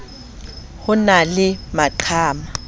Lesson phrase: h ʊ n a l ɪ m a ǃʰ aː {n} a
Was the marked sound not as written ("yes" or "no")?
yes